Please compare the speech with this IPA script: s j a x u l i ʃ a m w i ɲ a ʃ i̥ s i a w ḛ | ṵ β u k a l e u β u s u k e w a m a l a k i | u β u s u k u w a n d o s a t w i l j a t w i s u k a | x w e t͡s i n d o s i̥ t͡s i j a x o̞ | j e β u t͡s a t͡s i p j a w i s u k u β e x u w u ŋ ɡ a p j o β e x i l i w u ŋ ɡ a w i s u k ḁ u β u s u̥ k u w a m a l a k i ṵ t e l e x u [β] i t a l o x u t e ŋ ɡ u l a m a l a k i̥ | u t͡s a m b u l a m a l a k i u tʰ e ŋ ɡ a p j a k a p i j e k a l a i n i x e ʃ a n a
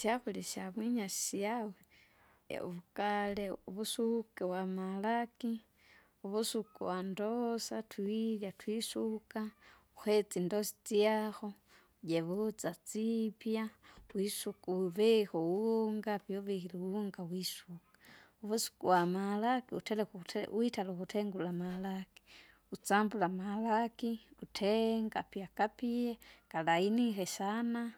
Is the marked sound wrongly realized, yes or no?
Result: yes